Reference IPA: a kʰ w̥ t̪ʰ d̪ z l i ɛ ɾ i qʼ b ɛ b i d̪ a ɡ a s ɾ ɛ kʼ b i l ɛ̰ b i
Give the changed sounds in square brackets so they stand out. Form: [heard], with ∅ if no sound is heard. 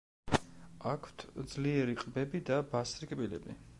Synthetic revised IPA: a kʰ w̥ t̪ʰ d̪ z l i ɛ ɾ i qʼ b ɛ b i d̪ a [b] a s ɾ [i] kʼ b i l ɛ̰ b i